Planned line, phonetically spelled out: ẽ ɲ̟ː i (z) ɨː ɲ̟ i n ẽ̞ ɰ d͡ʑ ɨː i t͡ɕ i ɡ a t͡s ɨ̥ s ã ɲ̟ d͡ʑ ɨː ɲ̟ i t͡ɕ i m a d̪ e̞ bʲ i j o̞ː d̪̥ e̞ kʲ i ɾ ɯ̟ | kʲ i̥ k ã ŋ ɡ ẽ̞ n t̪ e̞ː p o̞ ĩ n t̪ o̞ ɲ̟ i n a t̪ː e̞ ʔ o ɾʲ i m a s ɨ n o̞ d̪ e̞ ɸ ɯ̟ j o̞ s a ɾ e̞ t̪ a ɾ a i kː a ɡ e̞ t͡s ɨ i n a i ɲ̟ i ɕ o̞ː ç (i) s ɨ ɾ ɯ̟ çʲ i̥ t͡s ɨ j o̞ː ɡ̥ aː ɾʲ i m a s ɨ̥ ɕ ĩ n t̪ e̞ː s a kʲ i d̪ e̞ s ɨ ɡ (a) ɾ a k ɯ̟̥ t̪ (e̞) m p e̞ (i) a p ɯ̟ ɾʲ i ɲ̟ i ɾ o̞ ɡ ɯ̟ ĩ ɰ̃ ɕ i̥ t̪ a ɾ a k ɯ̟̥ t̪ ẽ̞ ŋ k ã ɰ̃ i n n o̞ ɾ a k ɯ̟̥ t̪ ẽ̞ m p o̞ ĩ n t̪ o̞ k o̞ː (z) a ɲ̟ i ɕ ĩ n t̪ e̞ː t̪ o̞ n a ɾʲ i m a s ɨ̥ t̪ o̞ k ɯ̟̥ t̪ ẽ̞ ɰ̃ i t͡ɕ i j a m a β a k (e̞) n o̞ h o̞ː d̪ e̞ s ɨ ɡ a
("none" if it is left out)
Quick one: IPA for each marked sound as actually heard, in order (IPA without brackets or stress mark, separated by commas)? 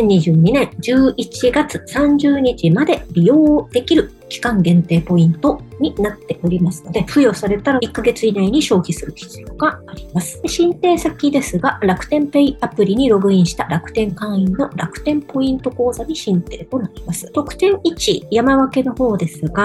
ʑ, i, a, ẽ̞, i, z, e̞